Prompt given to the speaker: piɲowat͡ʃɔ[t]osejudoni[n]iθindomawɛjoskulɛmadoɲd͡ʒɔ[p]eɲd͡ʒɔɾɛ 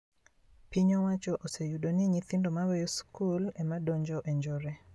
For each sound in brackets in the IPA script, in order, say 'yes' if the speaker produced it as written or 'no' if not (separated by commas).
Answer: no, no, no